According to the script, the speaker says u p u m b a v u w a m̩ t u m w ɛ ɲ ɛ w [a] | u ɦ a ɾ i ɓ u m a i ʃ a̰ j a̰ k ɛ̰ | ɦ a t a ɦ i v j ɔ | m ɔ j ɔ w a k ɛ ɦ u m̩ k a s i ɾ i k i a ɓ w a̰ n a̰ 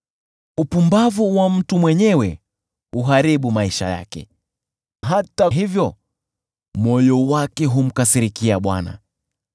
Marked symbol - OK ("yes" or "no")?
no